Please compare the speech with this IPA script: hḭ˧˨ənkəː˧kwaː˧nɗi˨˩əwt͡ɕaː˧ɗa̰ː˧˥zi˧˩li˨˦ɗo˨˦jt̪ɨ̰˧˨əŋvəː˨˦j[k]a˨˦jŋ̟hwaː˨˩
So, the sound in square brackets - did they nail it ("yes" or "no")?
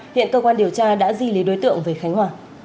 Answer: no